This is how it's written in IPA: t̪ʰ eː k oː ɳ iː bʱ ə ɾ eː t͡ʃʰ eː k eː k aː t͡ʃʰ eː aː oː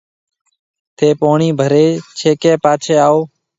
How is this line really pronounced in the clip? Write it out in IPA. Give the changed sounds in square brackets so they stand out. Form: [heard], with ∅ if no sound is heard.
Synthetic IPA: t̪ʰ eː [p] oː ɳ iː bʱ ə ɾ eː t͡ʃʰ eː k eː [p] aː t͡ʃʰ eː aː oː